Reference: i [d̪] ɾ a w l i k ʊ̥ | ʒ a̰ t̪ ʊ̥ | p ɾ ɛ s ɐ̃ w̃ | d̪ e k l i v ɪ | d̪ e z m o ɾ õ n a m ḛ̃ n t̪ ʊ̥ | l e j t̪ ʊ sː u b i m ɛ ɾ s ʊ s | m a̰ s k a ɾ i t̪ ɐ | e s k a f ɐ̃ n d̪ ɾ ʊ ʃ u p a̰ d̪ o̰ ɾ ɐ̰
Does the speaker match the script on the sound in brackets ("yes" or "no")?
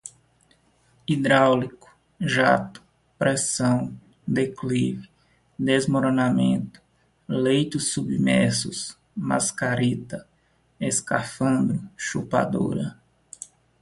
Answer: yes